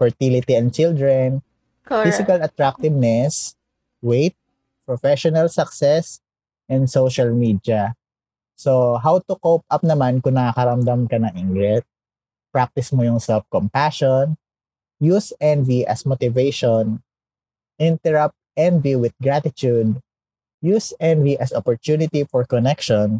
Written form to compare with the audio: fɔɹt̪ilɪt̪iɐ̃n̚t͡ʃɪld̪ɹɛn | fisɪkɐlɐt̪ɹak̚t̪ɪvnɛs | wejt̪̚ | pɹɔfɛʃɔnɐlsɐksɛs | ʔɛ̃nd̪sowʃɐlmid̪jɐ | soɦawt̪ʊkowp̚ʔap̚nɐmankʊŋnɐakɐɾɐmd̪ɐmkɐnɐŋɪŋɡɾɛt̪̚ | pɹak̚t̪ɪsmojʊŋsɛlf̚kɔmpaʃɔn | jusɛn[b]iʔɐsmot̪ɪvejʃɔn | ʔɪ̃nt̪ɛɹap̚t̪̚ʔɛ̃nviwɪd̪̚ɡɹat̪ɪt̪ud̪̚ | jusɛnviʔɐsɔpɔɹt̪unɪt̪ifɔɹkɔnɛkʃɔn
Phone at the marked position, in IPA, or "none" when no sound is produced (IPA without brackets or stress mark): v